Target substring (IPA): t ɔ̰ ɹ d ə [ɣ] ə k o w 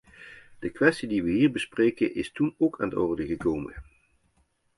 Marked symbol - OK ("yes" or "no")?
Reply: yes